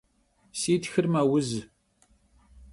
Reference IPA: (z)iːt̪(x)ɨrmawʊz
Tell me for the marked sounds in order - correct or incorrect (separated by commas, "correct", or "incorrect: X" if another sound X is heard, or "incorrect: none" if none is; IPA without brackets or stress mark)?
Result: incorrect: s, correct